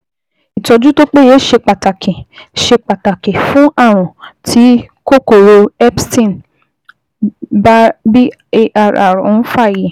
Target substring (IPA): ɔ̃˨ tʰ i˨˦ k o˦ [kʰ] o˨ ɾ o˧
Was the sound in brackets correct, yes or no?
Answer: no